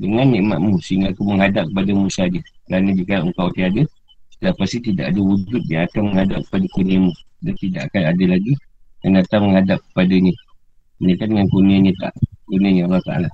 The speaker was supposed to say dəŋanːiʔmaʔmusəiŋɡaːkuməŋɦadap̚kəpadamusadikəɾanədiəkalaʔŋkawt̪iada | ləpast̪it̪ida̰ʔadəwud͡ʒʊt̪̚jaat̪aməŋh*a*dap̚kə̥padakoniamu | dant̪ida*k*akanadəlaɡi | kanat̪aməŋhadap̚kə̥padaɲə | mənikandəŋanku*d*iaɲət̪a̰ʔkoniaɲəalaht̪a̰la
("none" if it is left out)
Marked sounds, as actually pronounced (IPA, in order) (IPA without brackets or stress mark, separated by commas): a, ʔ, n